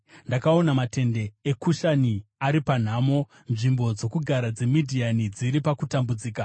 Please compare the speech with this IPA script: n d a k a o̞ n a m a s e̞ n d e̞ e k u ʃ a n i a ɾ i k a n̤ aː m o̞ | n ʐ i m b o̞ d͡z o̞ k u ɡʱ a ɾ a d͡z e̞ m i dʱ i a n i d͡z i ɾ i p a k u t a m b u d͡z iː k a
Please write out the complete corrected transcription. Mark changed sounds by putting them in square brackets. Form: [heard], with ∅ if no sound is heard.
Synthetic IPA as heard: n d a k a o̞ n a m a [t] e̞ n d e̞ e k u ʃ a n i a ɾ i [p] a n̤ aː m o̞ | n ʐ i m b o̞ d͡z o̞ k u ɡʱ a ɾ a d͡z e̞ m i dʱ i a n i d͡z i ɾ i p a k u t a m b u d͡z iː k a